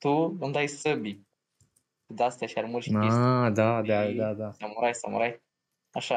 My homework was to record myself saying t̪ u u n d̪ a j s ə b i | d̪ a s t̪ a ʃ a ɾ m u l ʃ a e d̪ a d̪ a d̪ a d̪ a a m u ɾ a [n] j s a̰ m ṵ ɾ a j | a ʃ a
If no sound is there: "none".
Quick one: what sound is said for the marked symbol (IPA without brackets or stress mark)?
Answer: none